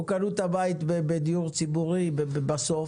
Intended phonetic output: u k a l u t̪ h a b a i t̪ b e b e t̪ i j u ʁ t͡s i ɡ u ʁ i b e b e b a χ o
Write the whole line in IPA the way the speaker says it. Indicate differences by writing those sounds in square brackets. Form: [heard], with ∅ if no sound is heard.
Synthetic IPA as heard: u k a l u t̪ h a b a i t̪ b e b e [d̪] i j u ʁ t͡s i [b] u ʁ i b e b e b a [s] o